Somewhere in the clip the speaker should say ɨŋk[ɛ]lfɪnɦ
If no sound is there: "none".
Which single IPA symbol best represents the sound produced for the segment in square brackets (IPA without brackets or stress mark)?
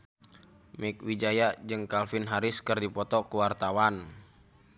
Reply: a